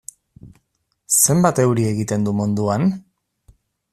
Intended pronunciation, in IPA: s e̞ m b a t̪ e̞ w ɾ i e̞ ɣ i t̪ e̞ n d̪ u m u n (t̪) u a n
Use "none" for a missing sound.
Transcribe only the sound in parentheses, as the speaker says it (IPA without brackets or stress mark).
d̪